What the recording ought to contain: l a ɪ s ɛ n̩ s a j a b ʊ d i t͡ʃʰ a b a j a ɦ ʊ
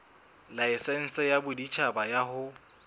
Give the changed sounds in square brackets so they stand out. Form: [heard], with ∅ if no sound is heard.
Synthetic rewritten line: l a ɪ s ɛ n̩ s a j a b ʊ d i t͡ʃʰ a b a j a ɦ ʊ